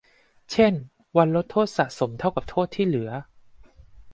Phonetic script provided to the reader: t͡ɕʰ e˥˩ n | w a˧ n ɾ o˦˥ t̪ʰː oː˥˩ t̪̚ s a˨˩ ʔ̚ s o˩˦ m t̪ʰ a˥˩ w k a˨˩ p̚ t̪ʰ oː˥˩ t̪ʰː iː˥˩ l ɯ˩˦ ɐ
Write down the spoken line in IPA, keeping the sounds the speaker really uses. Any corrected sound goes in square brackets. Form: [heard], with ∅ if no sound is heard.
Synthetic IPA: t͡ɕʰ e˥˩ n | w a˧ n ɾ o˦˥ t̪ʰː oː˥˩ t̪̚ s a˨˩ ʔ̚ s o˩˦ m t̪ʰ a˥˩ w k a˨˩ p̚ t̪ʰ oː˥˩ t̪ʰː iː˥˩ l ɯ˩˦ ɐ